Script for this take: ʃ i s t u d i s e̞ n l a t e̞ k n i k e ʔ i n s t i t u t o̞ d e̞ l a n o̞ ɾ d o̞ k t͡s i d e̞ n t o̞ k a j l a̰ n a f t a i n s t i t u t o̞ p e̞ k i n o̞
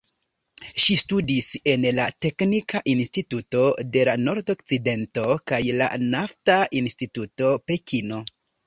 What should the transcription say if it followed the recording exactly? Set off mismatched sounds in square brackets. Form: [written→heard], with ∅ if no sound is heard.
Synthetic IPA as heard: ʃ i s t u d i s e̞ n l a t e̞ k n i k [e→a] ʔ i n s t i t u t o̞ d e̞ l a n o̞ ɾ d o̞ k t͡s i d e̞ n t o̞ k a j l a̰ n a f t a i n s t i t u t o̞ p e̞ k i n o̞